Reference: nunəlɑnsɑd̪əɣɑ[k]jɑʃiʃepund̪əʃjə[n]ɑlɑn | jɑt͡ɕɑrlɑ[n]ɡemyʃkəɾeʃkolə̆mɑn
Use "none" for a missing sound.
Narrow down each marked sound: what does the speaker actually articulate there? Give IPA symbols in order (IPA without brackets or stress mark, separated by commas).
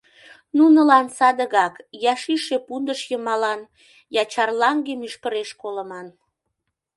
k, m, ŋ